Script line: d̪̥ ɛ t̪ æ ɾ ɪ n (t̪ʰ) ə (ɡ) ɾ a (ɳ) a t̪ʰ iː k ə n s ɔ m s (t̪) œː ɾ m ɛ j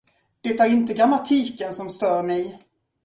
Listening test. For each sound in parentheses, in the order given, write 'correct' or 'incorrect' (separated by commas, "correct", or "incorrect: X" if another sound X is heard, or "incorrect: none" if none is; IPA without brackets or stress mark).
incorrect: t̪, correct, incorrect: m, correct